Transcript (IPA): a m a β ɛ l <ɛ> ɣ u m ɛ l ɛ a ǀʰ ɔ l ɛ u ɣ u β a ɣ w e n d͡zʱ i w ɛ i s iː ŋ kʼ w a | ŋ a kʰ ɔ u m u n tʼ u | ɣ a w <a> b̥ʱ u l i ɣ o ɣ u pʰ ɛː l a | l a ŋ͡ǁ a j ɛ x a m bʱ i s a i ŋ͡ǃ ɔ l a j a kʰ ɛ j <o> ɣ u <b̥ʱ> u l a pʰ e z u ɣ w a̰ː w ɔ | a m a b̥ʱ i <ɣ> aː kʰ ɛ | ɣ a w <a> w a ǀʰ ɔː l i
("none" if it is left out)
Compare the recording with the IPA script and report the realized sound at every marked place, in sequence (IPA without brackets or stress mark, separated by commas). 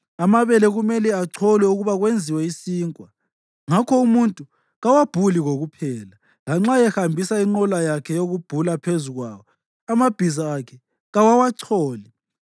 ɛ, a, o, b̥ʱ, z, a